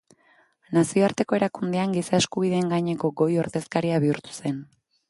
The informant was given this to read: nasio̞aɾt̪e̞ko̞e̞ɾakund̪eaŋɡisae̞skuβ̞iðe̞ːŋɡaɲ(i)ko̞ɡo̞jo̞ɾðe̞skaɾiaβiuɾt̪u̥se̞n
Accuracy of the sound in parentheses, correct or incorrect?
incorrect